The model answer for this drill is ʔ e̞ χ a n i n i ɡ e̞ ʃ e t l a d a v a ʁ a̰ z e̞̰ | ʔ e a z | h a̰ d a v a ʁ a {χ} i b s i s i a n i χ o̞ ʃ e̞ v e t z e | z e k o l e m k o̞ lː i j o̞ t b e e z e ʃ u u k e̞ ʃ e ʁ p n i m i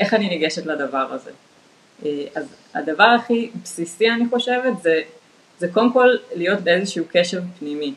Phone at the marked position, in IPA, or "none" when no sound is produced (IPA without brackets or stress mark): χ